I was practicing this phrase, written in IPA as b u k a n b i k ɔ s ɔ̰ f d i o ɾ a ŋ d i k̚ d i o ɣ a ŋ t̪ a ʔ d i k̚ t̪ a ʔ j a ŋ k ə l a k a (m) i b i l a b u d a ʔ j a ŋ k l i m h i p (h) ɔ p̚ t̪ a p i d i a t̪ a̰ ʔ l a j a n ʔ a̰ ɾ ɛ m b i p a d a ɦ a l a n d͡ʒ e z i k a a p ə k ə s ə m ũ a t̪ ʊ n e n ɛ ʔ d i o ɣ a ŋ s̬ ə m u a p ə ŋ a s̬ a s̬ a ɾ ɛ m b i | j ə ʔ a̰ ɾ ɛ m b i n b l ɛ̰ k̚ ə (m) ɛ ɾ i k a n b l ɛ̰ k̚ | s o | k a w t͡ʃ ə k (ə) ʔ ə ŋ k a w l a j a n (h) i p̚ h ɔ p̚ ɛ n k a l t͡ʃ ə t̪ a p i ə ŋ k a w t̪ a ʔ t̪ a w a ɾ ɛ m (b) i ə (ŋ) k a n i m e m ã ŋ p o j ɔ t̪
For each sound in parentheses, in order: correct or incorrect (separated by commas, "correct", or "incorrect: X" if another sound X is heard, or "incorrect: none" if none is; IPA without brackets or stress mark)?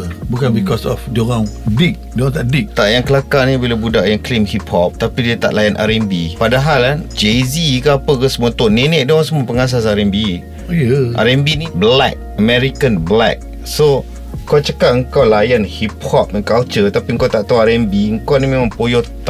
incorrect: n, correct, correct, incorrect: a, correct, correct, correct